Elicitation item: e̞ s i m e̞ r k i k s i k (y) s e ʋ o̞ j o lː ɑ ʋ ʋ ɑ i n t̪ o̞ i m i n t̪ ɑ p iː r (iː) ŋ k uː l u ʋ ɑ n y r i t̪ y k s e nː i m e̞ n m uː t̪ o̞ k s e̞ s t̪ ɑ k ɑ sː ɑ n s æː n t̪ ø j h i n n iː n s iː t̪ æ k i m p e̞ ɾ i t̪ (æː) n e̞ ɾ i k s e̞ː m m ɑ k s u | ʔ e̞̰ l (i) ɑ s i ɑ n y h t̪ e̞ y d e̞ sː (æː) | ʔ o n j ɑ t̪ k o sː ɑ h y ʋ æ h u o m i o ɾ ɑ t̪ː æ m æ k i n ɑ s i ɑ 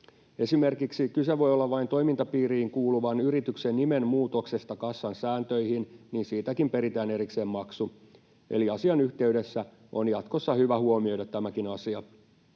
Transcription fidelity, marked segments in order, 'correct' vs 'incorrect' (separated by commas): correct, correct, correct, correct, incorrect